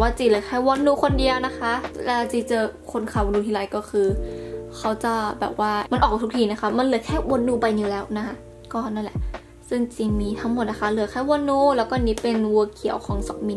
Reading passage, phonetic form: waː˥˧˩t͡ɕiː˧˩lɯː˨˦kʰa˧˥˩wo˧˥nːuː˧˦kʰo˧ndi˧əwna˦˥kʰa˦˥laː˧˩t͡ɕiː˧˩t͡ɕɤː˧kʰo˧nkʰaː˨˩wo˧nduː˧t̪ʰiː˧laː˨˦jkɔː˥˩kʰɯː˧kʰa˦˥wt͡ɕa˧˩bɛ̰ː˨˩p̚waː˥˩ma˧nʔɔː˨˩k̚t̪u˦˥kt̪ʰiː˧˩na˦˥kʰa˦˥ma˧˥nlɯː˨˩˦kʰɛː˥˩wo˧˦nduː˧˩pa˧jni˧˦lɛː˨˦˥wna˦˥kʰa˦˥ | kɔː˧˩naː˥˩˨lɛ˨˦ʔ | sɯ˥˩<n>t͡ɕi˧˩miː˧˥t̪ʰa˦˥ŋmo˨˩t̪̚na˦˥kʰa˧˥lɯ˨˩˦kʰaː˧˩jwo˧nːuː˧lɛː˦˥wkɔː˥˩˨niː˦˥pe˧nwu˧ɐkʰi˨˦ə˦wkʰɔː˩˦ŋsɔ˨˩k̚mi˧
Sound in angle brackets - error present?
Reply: yes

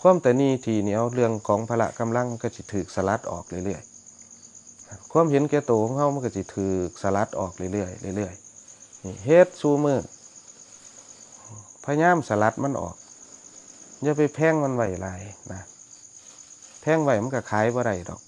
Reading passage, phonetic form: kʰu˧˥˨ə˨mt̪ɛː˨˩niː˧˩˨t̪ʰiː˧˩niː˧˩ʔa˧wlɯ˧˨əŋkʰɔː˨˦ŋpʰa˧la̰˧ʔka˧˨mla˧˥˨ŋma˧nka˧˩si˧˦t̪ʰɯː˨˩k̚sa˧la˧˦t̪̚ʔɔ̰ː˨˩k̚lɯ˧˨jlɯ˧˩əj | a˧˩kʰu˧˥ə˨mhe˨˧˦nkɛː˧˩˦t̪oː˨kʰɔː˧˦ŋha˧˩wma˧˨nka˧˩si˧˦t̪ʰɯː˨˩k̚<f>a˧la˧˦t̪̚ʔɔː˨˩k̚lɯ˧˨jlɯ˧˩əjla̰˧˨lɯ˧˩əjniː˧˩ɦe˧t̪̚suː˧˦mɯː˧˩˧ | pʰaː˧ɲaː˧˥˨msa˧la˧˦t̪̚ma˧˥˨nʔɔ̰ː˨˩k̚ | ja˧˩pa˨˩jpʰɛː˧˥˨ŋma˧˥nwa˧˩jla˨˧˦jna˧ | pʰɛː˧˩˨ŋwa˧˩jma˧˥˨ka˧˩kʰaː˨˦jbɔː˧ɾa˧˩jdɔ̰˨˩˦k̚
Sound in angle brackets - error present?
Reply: yes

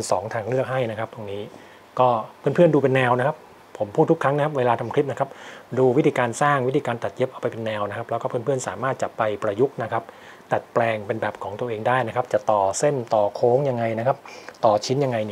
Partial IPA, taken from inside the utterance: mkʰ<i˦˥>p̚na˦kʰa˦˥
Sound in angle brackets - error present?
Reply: no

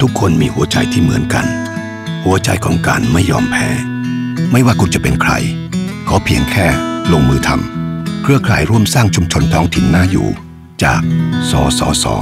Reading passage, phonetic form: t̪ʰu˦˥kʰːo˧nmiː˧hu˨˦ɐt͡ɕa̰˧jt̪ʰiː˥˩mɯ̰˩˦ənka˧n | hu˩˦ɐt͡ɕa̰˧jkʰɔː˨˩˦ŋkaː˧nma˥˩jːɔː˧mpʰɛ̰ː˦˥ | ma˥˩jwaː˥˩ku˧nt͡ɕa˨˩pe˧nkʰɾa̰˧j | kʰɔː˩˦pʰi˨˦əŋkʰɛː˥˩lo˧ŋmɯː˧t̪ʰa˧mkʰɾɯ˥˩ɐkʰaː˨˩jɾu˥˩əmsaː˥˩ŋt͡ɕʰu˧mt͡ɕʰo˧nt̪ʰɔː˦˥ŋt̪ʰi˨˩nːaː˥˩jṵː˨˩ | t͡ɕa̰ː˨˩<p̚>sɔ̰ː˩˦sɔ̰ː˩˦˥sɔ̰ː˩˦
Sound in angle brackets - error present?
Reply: yes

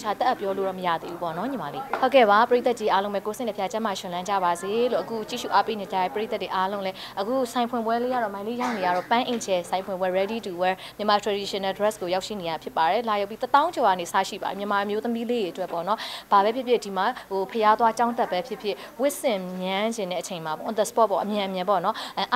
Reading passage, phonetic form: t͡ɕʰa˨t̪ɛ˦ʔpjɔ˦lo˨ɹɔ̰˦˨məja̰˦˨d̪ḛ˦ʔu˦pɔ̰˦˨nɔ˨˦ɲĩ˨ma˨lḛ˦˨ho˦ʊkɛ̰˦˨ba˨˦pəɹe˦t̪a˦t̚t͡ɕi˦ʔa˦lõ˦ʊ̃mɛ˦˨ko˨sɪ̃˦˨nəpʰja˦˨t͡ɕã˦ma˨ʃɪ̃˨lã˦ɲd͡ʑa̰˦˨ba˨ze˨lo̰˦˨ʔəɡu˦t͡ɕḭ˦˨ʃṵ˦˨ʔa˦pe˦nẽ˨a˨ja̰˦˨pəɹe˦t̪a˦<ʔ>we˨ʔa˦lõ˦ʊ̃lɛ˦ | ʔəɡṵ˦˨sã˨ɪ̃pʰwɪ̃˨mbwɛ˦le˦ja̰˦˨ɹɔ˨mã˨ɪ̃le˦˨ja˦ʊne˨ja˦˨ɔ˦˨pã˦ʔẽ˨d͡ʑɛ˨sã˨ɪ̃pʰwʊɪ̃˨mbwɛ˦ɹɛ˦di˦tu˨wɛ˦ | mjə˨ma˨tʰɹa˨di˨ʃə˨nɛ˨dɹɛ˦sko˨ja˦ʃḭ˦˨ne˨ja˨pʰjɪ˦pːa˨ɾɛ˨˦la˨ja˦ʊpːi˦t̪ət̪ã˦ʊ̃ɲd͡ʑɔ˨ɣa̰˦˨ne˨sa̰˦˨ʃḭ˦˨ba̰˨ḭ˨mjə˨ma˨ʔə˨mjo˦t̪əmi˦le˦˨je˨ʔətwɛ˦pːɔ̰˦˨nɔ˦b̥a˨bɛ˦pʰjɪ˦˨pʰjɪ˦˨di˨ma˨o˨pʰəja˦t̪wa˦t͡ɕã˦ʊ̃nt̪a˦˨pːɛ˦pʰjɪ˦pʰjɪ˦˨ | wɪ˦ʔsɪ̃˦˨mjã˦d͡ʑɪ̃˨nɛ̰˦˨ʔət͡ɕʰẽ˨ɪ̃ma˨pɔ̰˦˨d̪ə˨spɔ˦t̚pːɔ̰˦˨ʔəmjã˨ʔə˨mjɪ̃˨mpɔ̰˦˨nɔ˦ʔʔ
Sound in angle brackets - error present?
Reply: yes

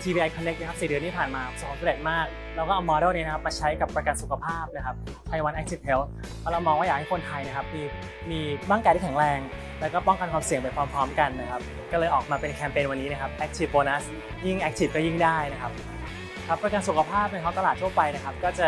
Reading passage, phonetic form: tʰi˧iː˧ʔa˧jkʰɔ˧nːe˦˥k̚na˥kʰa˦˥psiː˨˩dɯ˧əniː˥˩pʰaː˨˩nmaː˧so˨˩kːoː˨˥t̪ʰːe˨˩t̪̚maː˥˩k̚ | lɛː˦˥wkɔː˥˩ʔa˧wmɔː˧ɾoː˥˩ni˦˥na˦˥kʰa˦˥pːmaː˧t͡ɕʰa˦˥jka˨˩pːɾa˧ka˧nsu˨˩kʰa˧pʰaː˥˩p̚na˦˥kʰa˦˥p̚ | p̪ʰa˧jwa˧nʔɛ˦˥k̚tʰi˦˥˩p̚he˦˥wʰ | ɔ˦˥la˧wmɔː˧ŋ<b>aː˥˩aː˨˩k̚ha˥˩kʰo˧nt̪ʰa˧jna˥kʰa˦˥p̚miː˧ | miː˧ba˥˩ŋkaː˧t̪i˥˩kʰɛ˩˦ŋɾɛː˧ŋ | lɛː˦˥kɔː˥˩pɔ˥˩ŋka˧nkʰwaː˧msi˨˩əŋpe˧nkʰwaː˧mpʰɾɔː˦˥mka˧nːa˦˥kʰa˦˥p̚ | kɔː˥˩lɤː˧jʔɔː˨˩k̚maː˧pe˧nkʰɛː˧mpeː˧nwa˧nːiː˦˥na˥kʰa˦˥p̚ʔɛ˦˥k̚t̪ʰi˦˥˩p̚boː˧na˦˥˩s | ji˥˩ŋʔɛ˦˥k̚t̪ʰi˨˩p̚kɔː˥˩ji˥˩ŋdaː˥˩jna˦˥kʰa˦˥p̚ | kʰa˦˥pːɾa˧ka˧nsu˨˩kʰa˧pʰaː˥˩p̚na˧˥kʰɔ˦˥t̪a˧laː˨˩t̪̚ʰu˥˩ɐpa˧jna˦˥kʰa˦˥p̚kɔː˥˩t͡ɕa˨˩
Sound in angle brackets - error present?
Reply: yes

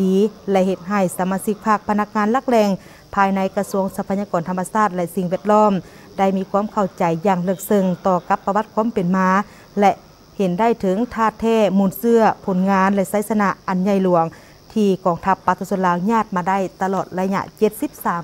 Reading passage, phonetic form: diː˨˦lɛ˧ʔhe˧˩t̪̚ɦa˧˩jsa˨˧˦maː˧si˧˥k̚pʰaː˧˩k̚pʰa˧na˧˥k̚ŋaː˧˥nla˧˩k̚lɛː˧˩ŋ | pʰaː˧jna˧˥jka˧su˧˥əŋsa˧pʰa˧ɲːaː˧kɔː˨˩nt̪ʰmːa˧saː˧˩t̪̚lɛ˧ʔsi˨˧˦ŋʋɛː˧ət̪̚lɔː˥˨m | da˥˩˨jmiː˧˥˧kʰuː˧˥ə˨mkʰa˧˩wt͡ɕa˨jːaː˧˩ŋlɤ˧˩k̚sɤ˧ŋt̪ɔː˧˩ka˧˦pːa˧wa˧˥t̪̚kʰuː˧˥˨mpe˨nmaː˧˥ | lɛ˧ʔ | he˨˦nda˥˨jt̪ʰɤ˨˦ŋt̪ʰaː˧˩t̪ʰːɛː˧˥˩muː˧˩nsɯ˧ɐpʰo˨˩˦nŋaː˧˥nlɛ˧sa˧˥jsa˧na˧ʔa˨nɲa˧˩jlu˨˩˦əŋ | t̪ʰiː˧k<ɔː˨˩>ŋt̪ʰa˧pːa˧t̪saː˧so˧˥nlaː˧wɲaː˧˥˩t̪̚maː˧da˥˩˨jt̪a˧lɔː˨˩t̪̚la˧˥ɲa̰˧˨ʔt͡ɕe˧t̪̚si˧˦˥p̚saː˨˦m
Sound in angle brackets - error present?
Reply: no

